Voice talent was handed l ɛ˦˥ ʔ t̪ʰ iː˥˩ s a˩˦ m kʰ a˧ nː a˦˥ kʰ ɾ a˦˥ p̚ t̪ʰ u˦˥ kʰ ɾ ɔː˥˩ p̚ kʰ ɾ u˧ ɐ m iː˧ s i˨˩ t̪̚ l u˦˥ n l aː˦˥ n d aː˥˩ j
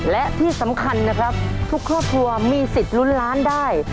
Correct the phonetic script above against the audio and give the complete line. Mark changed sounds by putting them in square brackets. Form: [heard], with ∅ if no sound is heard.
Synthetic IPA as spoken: l ɛ˦˥ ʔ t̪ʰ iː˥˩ s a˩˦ m kʰ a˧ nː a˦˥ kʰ ɾ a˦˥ p̚ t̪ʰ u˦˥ kʰ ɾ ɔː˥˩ p̚ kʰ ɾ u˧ ɐ m iː˧ s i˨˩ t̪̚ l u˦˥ n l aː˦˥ n d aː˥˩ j